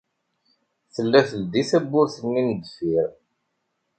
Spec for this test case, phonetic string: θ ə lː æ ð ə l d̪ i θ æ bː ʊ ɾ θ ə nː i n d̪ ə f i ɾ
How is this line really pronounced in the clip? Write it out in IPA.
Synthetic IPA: θ ə lː æ θ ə l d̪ i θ æ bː ʊ ɾ θ ə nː i n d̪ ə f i ɾ